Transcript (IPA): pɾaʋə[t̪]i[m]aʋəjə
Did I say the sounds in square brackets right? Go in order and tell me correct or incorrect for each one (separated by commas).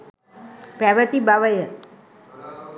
correct, incorrect